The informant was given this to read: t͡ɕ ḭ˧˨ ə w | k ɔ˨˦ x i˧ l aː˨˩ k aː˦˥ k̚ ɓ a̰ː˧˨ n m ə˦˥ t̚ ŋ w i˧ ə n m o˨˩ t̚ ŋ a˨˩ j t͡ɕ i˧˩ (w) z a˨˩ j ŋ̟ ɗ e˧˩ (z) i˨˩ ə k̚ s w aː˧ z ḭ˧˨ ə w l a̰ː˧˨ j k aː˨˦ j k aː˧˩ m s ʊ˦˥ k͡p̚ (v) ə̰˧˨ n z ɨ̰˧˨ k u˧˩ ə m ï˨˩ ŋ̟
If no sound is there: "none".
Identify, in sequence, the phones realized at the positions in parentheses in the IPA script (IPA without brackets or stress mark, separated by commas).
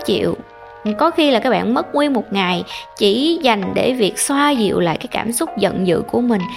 none, v, z